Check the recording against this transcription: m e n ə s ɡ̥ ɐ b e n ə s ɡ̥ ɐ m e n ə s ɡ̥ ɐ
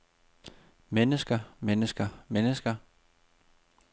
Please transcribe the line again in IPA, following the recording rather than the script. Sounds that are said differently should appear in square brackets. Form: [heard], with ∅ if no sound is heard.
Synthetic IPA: m e n ə s ɡ̥ ɐ [m] e n ə s ɡ̥ ɐ m e n ə s ɡ̥ ɐ